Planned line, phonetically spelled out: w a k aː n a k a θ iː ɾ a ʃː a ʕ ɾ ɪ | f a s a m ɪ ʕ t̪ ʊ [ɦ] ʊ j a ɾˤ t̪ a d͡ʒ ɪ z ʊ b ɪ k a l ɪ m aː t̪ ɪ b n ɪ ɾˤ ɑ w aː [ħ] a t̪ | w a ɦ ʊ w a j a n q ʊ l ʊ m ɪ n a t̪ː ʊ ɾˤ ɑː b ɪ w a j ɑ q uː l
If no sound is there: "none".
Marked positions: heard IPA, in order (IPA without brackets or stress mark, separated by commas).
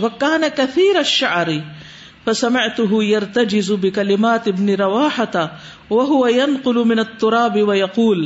ɦ, ħ